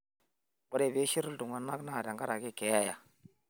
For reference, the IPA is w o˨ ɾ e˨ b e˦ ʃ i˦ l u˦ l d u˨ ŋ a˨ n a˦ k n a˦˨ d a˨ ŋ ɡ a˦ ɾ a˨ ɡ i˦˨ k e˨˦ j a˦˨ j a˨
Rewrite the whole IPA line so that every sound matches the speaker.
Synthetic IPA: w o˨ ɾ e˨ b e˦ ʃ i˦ ɾ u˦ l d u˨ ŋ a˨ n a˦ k n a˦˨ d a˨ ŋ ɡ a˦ ɾ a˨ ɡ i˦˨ k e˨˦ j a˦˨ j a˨